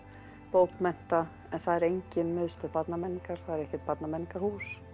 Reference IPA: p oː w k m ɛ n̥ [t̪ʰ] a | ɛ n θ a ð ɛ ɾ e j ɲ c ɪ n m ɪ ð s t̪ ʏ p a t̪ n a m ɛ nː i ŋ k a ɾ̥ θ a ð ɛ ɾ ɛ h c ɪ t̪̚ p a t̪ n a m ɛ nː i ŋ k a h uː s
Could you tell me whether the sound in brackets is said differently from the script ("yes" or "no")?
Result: yes